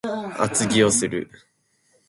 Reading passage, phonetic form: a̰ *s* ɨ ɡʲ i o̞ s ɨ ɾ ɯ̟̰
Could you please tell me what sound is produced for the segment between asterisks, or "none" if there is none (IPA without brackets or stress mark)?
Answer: t͡s